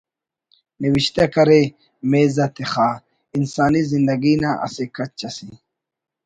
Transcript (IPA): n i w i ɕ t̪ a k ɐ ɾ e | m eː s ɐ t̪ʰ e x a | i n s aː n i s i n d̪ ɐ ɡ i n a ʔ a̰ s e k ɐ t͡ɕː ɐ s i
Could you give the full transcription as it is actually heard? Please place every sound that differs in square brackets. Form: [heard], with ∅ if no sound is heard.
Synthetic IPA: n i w i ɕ t̪ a k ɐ ɾ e | m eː [z] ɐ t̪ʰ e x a | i n s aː n i [z] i n d̪ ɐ ɡ i n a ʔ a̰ s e k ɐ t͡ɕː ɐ s i